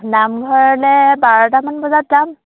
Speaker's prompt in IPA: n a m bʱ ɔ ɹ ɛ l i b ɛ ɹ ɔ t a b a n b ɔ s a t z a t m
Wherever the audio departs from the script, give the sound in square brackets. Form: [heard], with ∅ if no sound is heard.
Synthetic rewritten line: n a m [ɡʱ] ɔ ɹ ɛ l [ɛ] b [a] ɹ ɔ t a [m] a n b ɔ [z] a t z a [∅] m